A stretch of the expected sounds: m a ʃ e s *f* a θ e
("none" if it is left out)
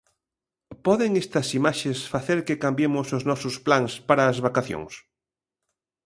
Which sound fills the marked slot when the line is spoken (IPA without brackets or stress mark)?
f